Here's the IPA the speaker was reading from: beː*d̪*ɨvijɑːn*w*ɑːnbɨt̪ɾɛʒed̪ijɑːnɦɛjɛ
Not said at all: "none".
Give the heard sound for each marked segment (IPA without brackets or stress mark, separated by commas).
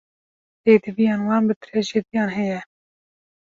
d̪, w